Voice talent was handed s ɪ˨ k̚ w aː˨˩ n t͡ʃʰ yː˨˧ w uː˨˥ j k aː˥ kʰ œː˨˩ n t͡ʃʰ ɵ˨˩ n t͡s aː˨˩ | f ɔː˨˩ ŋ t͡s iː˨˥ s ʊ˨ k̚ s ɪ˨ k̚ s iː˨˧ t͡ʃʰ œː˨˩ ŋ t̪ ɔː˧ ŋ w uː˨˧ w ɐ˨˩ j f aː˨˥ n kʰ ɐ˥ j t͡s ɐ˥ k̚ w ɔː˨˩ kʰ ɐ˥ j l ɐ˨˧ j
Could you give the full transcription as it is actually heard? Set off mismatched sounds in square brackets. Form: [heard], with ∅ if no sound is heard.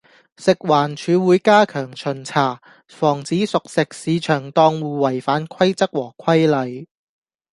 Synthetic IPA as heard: s ɪ˨ k̚ w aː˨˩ n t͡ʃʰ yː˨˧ w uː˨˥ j k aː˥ kʰ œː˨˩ [ŋ] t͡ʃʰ ɵ˨˩ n [t͡sʰ] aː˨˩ | f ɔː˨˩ ŋ t͡s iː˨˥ s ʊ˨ k̚ s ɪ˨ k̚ s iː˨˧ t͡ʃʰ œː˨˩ ŋ t̪ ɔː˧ ŋ w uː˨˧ w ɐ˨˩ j f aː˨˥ n kʰ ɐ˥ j t͡s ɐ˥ k̚ w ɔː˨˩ kʰ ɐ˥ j l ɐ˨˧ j